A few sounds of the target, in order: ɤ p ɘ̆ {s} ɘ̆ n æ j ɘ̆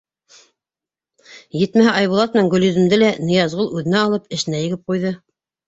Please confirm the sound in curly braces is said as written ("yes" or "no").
no